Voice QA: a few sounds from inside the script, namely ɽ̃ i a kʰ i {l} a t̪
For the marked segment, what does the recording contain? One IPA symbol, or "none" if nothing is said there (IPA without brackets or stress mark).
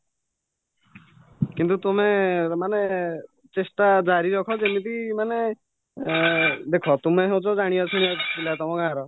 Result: l